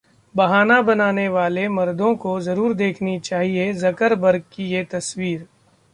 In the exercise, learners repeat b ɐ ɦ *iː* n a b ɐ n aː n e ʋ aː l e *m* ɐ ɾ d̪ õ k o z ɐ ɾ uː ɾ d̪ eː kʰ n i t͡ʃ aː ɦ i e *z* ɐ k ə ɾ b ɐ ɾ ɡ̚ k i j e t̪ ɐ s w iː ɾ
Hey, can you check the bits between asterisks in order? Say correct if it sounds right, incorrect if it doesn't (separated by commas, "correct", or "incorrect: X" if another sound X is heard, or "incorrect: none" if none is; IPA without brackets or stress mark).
incorrect: aː, correct, correct